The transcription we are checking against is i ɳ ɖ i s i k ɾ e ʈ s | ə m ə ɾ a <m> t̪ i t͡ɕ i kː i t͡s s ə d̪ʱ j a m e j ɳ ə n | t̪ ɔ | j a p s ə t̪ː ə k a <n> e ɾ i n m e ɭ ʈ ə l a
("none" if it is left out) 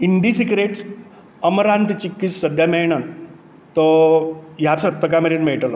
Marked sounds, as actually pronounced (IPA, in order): n, m

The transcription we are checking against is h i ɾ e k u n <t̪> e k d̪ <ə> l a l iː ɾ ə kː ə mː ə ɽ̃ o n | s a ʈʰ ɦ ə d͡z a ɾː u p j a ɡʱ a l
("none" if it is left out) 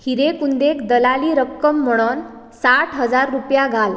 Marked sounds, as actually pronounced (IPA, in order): d̪, ə

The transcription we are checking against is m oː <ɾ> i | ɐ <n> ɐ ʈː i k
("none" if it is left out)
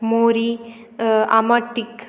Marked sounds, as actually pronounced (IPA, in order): ɾ, m

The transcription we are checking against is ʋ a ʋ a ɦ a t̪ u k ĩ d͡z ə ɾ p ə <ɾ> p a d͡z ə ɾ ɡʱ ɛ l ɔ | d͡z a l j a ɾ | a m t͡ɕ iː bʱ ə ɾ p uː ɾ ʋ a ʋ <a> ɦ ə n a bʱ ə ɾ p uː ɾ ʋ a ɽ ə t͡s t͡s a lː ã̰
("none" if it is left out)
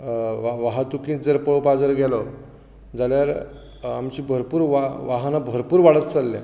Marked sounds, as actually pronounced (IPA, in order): ɭ, a

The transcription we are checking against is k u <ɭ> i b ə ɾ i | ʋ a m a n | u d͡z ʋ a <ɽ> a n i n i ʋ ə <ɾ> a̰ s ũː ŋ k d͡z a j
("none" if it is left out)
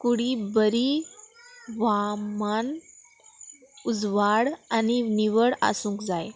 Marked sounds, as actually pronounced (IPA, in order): ɽ, ɽ, ɽ

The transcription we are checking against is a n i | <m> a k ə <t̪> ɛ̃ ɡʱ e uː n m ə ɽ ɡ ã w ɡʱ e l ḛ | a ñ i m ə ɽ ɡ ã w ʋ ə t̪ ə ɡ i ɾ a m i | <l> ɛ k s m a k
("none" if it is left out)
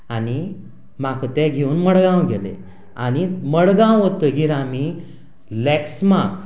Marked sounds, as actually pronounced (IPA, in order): m, t̪, l

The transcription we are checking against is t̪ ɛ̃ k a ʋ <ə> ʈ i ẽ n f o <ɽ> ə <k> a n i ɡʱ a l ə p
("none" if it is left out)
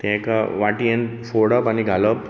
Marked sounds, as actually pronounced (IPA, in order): a, ɽ, p

